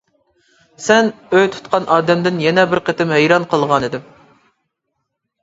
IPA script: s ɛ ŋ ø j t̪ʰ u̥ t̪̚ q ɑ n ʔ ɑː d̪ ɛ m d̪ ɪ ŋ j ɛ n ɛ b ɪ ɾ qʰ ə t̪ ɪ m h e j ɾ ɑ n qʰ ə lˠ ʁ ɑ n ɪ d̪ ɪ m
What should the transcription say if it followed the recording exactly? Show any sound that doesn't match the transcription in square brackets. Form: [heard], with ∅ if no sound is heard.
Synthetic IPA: s ɛ [n] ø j t̪ʰ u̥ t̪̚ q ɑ n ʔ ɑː d̪ ɛ m d̪ ɪ [n] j ɛ n ɛ b ɪ ɾ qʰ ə t̪ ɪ m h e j ɾ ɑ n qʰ ə lˠ ʁ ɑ n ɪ d̪ ɪ m